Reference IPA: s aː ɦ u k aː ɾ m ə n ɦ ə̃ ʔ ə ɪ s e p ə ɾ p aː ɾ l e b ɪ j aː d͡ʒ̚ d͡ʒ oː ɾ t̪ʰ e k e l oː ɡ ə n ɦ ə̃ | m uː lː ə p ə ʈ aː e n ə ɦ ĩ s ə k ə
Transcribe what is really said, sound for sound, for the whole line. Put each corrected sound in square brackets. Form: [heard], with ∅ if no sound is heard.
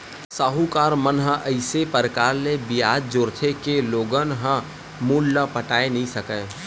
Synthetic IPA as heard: s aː ɦ u k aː ɾ m ə n ɦ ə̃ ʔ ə ɪ s e p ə ɾ [k] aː ɾ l e b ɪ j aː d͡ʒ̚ d͡ʒ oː ɾ t̪ʰ e k e l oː ɡ ə n ɦ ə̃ | m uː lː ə p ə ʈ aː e n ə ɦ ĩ s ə k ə